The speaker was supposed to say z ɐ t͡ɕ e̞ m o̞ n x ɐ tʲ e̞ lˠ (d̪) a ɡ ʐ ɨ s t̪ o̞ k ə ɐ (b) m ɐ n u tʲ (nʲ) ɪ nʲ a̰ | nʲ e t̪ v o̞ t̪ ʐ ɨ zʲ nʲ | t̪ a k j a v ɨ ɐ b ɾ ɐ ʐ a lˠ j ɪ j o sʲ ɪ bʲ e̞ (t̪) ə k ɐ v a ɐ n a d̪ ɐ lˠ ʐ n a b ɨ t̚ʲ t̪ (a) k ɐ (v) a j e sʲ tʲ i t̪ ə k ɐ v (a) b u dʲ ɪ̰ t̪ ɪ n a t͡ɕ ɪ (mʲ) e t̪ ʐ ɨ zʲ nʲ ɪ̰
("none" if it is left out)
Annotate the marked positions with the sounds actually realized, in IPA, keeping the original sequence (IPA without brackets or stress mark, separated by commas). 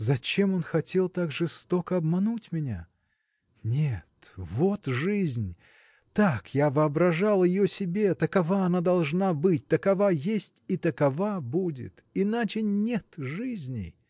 t̪, b, mʲ, t̪, ə, v, a, nʲ